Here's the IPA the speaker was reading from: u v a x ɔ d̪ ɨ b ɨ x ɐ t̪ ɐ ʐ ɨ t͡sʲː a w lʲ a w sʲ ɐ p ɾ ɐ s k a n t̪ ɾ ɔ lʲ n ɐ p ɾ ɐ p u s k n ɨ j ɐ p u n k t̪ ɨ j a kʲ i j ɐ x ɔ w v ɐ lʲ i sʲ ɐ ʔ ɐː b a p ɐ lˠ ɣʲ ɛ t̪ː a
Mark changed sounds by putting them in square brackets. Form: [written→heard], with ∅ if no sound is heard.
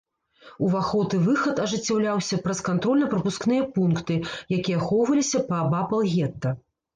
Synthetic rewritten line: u v a x ɔ [d̪→t̪] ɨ [b→v] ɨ x ɐ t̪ ɐ ʐ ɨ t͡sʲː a w lʲ a w sʲ ɐ p ɾ ɐ s k a n t̪ ɾ ɔ lʲ n ɐ p ɾ ɐ p u s k n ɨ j ɐ p u n k t̪ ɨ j a kʲ i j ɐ x ɔ w v ɐ lʲ i sʲ ɐ [ʔ→p] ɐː b a p ɐ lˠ ɣʲ ɛ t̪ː [a→ɐ]